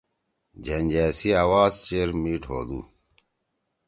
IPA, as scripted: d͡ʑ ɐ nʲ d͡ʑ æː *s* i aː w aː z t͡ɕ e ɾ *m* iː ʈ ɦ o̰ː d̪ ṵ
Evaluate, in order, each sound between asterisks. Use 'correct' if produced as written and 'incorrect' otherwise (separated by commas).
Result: correct, correct